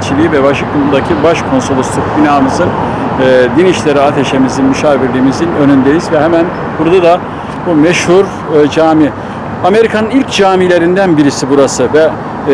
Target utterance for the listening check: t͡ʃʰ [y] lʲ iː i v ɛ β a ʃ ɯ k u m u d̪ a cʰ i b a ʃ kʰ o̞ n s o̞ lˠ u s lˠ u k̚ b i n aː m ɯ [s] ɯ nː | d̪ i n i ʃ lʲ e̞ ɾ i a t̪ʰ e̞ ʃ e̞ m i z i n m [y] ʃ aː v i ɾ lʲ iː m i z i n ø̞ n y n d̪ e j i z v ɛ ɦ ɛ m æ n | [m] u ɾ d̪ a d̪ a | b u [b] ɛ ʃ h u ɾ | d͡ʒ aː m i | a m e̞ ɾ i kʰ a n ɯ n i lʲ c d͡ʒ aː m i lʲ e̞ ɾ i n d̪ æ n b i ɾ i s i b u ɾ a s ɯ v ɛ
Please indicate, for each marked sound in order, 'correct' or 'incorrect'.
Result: incorrect, incorrect, correct, incorrect, incorrect

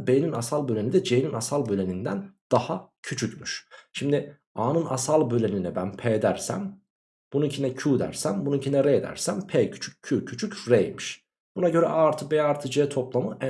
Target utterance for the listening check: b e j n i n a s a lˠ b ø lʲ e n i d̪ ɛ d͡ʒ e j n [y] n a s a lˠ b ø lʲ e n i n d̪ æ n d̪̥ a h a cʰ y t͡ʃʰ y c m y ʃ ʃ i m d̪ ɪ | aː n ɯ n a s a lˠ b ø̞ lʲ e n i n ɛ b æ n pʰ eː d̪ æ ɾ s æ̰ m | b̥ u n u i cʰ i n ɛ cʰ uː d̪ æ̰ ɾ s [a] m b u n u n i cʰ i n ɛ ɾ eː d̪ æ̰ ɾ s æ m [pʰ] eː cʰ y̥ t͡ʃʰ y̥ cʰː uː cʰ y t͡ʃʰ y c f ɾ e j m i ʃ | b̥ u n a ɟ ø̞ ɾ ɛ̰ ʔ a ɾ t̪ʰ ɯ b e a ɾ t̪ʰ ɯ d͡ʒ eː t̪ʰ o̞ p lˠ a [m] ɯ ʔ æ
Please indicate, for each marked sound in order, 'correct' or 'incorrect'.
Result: incorrect, incorrect, correct, correct

